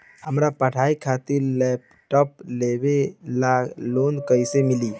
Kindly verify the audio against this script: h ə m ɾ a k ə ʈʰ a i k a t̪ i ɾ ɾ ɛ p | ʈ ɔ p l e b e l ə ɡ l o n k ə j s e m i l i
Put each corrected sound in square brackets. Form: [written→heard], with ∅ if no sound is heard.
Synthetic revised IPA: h ə m ɾ a [k→p] ə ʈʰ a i [k→kʰ] a t̪ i ɾ [ɾ→l] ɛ p | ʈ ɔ p l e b e l [ə→a] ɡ l o n k ə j s e m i l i